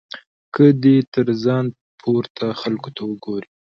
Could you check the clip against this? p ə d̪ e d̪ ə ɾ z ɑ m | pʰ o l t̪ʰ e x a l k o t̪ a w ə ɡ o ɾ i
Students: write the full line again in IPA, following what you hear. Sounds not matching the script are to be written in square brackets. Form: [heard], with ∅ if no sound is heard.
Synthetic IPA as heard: [k] ə d̪ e [t̪] ə ɾ z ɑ [n] | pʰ o [ɾ] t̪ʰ [a] x a l k o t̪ a w ə ɡ o ɾ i

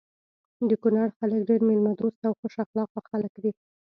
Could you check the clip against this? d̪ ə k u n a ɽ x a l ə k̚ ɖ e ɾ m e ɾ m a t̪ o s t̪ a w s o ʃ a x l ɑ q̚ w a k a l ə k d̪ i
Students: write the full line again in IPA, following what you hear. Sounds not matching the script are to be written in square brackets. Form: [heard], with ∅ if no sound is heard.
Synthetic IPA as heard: d̪ ə k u n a ɽ x a l ə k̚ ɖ e ɾ m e [l] m a [d̪] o s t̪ a w [x] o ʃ a x l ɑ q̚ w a [x] a l ə k d̪ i

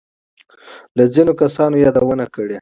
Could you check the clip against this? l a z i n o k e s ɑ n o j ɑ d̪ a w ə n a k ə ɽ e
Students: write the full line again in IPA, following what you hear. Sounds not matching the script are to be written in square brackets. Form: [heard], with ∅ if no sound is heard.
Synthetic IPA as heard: l a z i n o k [a] s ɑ n o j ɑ d̪ a w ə n a k ə ɽ e

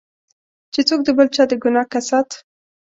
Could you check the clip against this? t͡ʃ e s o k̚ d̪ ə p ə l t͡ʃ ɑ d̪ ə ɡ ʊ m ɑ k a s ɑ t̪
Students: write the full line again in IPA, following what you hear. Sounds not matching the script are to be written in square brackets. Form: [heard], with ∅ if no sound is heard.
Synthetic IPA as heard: t͡ʃ e [t͡s] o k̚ d̪ ə [b] ə l t͡ʃ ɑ d̪ ə ɡ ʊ [n] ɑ k a s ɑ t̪

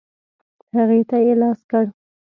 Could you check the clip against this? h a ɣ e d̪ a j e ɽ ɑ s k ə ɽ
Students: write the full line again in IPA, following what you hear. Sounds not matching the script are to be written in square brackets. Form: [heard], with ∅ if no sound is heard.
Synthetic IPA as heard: h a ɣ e [t̪] a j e [l] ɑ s k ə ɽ

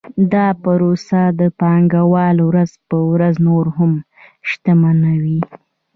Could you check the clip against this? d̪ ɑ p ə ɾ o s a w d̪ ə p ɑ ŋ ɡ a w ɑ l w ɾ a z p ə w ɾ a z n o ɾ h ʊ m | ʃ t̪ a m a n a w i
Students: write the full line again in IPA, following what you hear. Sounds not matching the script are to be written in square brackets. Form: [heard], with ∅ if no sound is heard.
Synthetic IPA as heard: d̪ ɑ p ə ɾ o s a [∅] d̪ ə p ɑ ŋ ɡ a w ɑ l w ɾ a z p ə w ɾ a z n o ɾ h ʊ m | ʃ t̪ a m a n a w i

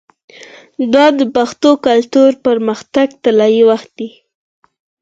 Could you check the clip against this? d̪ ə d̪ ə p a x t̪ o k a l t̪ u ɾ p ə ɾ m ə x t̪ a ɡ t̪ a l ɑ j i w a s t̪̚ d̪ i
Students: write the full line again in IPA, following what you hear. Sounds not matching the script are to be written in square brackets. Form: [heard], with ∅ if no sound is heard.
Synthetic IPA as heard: d̪ [ɑ] d̪ ə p a x t̪ o k a l t̪ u ɾ p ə ɾ m ə x t̪ a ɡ t̪ a l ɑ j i w a [x] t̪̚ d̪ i

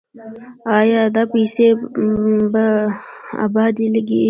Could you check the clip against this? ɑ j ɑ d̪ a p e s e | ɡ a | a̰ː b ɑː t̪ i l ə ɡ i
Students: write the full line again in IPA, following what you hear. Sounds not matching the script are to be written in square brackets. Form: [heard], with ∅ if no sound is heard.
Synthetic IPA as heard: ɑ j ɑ d̪ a p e s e | [b] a | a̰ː b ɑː [d̪] i l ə ɡ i

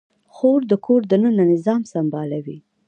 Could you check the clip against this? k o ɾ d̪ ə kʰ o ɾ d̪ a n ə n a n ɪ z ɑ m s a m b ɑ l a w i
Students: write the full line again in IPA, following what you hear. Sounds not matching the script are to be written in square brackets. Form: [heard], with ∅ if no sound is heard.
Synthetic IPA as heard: [x] o ɾ d̪ ə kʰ o ɾ d̪ [ə] n ə n a n ɪ z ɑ m s a m b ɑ l a w i

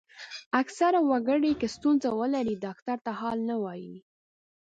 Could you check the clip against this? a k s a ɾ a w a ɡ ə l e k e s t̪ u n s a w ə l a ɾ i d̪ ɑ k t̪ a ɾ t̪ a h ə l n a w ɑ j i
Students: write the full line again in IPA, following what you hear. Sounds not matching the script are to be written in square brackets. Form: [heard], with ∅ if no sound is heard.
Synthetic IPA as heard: a k s a ɾ a w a ɡ ə [ɽ] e k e s t̪ u n [z] a w ə l a ɾ i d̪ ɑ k t̪ a ɾ t̪ a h [ɑ] l n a w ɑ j i

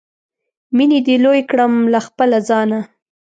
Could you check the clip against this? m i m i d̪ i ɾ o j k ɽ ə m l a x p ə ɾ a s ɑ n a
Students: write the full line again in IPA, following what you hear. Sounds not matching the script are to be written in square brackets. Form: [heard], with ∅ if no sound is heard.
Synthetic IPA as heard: m i [n] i d̪ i [l] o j k ɽ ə m l a x p ə [l] a [z] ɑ n a

